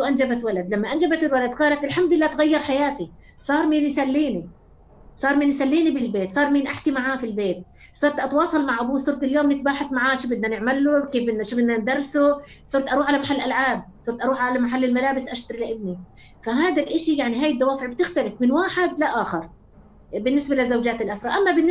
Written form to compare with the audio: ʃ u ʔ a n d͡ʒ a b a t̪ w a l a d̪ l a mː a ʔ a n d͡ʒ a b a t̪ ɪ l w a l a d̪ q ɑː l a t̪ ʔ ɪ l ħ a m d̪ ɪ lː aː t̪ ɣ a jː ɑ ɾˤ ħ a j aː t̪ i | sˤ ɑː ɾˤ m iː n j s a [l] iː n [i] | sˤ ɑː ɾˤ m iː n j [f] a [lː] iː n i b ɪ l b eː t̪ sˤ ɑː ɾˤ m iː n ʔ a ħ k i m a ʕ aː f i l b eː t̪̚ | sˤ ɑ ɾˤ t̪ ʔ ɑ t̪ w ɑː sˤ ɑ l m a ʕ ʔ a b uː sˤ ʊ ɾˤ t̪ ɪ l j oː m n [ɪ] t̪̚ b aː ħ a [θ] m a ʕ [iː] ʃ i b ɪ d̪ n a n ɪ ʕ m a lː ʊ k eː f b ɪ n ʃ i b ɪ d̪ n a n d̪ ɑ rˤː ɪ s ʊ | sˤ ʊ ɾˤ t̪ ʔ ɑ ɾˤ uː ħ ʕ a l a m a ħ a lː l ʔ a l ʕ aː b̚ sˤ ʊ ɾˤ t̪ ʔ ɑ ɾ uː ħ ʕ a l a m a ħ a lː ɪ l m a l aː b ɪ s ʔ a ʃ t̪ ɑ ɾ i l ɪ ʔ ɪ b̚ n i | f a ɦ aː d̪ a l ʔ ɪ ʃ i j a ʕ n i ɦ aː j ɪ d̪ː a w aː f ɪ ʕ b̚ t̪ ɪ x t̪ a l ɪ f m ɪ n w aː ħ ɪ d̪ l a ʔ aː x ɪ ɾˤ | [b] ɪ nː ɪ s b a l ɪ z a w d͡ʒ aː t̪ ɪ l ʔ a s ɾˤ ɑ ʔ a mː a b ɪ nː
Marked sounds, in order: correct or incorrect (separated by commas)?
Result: incorrect, correct, incorrect, correct, correct, correct, incorrect, correct